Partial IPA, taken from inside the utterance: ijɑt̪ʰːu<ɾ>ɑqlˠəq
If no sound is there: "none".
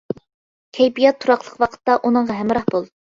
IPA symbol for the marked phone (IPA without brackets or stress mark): ɾ